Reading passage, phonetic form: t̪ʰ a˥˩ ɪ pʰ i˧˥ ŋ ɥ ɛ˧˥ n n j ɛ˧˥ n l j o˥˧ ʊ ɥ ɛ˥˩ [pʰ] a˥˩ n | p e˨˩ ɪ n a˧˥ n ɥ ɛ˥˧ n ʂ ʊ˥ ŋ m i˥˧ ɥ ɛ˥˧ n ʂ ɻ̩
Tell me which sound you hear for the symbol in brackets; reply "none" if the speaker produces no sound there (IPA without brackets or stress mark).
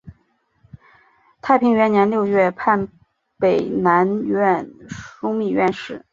pʰ